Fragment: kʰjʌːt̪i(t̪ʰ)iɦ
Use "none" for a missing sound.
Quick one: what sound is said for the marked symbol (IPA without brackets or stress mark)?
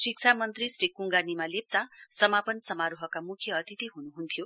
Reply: t̪